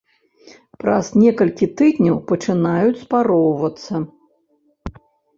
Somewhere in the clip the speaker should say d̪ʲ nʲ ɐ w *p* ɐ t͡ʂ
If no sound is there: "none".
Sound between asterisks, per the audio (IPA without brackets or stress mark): p